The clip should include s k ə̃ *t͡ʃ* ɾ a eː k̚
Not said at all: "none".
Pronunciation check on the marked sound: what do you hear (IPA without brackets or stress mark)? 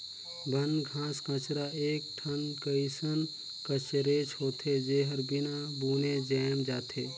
t͡ʃ